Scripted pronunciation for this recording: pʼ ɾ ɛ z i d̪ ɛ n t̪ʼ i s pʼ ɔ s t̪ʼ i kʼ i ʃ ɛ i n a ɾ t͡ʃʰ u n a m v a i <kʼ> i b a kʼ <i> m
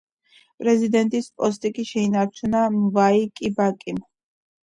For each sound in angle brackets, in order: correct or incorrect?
correct, correct

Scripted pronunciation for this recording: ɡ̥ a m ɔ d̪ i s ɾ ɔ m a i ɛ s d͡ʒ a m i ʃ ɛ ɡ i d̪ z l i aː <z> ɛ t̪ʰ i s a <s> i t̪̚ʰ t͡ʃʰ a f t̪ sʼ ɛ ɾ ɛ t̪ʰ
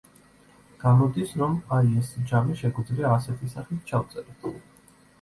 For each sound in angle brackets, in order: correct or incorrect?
incorrect, incorrect

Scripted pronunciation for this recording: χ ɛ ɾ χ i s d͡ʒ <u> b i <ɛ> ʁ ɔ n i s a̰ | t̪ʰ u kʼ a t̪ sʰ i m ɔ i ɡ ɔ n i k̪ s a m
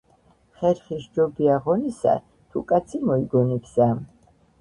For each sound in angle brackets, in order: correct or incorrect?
incorrect, incorrect

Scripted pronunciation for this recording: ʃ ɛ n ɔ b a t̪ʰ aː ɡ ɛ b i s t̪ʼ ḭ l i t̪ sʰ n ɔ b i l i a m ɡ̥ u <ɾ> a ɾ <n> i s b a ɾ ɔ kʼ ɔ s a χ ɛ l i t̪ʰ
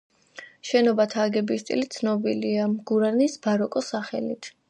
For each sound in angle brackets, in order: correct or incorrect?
correct, correct

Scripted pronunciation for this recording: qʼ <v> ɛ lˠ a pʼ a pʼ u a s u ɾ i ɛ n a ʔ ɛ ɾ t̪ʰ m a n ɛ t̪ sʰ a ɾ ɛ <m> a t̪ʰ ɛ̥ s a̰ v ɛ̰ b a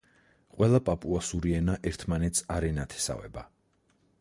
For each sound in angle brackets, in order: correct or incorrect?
incorrect, incorrect

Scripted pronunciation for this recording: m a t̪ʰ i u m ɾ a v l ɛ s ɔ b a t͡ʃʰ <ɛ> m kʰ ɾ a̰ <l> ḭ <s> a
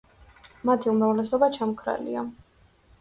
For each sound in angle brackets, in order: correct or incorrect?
incorrect, correct, incorrect

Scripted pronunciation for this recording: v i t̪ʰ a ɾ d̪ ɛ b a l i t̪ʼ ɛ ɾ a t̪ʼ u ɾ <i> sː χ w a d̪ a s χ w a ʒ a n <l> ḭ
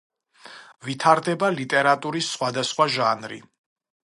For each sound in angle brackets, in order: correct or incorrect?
correct, incorrect

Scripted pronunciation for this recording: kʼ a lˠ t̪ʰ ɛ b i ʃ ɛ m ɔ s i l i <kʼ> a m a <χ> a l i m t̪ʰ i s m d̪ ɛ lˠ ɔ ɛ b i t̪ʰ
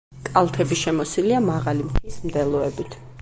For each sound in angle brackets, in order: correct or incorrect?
incorrect, incorrect

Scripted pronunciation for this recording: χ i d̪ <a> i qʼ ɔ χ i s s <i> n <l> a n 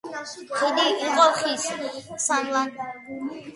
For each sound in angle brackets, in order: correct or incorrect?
incorrect, incorrect, correct

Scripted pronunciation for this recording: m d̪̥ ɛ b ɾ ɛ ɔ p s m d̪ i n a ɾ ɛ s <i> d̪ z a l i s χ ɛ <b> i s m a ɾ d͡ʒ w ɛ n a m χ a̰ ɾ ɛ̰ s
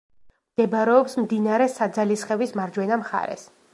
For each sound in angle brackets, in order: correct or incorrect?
incorrect, incorrect

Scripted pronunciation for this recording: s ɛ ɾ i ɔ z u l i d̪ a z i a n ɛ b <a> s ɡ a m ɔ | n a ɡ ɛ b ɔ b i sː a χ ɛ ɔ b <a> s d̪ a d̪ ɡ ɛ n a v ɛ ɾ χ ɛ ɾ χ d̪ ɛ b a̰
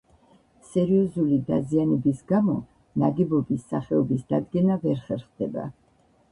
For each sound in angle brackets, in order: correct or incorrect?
incorrect, incorrect

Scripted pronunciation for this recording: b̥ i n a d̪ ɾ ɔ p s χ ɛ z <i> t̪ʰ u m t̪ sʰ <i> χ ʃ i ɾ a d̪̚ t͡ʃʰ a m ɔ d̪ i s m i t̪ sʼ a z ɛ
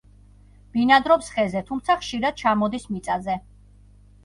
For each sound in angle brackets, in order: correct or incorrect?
incorrect, incorrect

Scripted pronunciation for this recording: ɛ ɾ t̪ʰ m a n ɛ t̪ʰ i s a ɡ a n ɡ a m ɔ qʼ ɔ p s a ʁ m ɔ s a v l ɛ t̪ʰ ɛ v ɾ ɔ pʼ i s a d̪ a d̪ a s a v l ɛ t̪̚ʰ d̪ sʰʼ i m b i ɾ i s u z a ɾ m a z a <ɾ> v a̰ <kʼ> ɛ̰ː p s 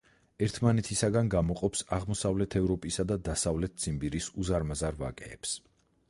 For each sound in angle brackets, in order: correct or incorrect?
correct, correct

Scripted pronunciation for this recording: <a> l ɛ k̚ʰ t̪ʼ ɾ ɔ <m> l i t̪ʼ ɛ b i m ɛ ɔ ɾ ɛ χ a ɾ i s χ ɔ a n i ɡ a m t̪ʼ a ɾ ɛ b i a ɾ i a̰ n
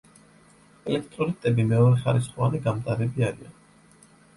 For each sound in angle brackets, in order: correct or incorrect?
incorrect, incorrect

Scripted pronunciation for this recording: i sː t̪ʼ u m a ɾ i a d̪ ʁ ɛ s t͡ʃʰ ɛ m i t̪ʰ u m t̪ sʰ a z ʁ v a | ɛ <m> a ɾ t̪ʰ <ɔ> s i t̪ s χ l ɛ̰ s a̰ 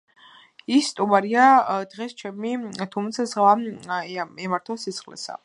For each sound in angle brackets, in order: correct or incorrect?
correct, correct

